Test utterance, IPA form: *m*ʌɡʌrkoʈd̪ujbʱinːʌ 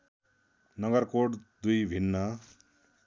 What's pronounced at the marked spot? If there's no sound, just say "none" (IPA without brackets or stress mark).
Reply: n